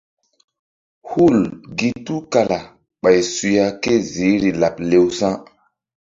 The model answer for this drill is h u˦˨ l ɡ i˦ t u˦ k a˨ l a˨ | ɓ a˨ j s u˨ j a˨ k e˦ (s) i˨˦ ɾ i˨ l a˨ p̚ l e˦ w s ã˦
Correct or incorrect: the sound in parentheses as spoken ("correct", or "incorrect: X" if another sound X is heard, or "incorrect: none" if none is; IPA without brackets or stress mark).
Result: incorrect: z